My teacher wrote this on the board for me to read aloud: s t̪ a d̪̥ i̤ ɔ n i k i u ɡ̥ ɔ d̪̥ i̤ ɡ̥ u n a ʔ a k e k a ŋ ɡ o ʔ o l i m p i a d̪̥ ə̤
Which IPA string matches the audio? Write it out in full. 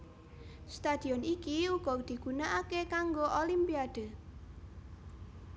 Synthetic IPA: s t̪ a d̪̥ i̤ ɔ n i k i u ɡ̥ ɔ d̪̥ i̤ ɡ̥ u n a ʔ a k e k a ŋ ɡ o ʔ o l i m p i a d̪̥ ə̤